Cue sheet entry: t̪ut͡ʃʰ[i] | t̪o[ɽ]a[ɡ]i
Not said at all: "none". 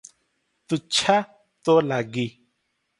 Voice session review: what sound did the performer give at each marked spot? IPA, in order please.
a, l, ɡ

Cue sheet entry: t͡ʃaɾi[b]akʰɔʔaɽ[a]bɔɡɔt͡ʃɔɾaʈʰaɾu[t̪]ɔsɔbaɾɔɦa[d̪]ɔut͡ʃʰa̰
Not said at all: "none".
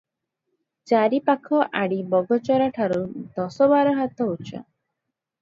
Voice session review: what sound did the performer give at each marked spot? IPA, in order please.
p, i, d̪, t̪

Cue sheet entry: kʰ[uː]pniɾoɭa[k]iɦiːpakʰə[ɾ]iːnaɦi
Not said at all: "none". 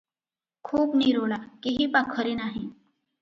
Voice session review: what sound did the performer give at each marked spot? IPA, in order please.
uː, k, ɾ

